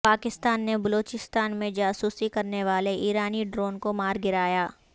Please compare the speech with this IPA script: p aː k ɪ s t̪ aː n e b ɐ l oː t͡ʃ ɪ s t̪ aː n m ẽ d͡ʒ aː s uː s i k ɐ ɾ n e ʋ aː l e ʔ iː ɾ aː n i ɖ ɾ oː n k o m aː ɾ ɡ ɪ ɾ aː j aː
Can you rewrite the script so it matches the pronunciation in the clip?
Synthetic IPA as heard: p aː k ɪ s t̪ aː nː e b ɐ l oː t͡ʃ ɪ s t̪ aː n m ẽ d͡ʒ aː s uː s i k ɐ ɾ n e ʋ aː l e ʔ iː ɾ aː n i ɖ ɾ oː n k o m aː ɾ ɡ ɪ ɾ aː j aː